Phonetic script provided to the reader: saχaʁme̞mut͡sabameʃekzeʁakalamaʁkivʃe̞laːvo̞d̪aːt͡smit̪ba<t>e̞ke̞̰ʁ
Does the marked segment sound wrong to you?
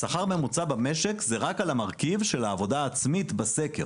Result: yes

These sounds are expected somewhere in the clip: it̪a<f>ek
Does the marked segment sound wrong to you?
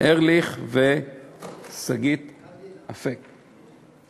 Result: no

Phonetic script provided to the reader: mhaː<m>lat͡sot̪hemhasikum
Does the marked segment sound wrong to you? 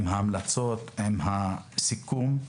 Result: no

